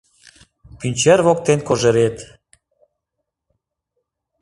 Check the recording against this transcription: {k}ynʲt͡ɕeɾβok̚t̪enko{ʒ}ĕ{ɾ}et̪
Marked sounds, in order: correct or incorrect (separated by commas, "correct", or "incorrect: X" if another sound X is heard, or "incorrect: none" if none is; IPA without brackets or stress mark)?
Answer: incorrect: p, correct, correct